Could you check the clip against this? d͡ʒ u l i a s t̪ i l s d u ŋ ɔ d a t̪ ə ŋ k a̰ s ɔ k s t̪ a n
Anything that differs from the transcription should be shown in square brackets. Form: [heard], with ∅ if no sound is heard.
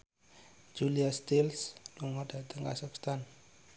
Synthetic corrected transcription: d͡ʒ u l i a s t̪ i l s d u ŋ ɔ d a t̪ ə ŋ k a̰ s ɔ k s t̪ a n

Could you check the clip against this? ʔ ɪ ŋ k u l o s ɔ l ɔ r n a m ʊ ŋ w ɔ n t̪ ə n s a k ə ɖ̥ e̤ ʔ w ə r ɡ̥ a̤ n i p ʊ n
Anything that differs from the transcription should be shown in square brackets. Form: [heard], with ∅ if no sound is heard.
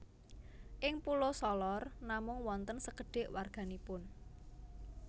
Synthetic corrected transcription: ʔ ɪ ŋ [p] u l o s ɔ l ɔ r n a m ʊ ŋ w ɔ n t̪ ə n s [ə] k ə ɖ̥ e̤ ʔ w [a] r ɡ̥ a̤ n i p ʊ n

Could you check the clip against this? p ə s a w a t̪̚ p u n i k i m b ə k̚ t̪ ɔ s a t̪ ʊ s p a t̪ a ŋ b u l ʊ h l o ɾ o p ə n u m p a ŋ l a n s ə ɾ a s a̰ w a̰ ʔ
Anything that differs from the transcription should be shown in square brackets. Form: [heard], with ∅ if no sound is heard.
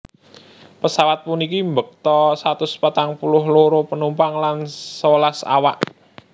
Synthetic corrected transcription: p ə s a w a t̪̚ p u n i k i m b ə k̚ t̪ ɔ s a t̪ ʊ s p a t̪ a ŋ [p] u l ʊ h l o ɾ o p ə n u m p a ŋ l a n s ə [l] a s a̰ w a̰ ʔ

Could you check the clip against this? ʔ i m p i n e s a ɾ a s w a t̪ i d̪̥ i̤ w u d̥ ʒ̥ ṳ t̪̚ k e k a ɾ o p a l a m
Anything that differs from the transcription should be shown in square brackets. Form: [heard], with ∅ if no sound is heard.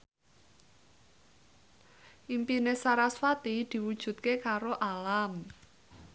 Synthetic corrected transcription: ʔ i m p i n e s a ɾ a s w a t̪ i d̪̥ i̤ w u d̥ ʒ̥ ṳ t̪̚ k e k a ɾ o [ʔ] a l a m

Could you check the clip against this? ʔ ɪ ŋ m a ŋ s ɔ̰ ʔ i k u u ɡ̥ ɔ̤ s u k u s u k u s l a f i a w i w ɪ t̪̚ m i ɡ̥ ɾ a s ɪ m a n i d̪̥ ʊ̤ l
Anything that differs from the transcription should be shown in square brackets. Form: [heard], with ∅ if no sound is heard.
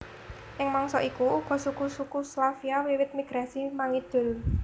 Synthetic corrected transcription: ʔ ɪ ŋ m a ŋ s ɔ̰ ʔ i k u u ɡ̥ ɔ̤ s u k u s u k u s l a f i a w i w ɪ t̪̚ m i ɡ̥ ɾ a s [i] m a [ŋ] i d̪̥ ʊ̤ l

